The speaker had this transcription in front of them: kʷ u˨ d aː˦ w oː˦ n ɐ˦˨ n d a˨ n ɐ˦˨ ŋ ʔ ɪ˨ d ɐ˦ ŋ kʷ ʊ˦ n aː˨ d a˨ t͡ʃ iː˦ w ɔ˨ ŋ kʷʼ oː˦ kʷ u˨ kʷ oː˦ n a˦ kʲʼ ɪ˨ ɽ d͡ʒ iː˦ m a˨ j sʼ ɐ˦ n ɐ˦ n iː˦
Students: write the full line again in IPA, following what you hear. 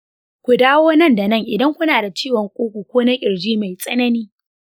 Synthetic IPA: kʷ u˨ d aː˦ w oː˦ n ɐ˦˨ n d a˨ n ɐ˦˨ ŋ ʔ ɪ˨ d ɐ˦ ŋ kʷ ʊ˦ n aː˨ d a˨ t͡ʃ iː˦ w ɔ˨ ŋ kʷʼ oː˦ kʷ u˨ kʷ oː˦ n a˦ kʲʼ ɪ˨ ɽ d͡ʒ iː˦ m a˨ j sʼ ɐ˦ n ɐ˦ n iː˦